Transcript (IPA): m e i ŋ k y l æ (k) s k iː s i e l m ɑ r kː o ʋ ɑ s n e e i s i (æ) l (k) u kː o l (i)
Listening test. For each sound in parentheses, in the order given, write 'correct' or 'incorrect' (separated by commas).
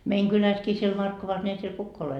incorrect, incorrect, correct, incorrect